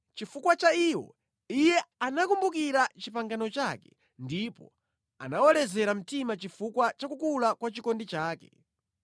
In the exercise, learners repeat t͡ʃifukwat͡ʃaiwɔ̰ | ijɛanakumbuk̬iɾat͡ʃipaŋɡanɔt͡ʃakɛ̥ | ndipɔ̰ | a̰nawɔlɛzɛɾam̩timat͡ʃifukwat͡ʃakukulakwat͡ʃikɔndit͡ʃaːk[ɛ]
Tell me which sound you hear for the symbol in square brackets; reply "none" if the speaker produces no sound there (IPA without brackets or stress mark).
ɛ